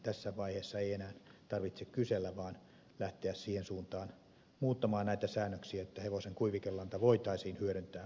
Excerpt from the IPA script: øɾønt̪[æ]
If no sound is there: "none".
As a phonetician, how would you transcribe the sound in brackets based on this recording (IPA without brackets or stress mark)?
æː